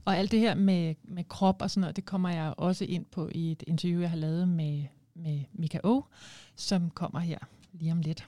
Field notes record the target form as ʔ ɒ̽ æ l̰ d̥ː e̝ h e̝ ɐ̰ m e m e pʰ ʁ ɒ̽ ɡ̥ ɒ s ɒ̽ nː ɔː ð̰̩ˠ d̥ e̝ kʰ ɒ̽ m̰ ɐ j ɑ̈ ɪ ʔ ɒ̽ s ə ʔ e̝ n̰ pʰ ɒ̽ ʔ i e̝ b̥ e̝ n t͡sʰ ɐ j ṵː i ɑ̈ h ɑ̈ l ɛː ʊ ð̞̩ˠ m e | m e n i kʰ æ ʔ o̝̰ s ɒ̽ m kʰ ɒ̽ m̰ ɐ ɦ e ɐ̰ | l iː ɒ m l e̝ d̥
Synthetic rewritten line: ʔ ɒ̽ æ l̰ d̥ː e̝ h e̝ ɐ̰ m e m e kʰ ʁ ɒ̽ b̥ ɒ s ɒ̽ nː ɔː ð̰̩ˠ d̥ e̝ kʰ ɒ̽ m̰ ɐ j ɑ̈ ɪ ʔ ɒ̽ s ə ʔ e̝ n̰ pʰ ɒ̽ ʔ i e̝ d̥ e̝ n t͡sʰ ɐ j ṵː j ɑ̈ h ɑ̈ l ɛː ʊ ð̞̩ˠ m e | m e m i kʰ æ ʔ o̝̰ s ɒ̽ m kʰ ɒ̽ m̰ ɐ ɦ e ɐ̰ | l iː ɒ m l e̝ d̥